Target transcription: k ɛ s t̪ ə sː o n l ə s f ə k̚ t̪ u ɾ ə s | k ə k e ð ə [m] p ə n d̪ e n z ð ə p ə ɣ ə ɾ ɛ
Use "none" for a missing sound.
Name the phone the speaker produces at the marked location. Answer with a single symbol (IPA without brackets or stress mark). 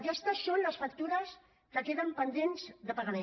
m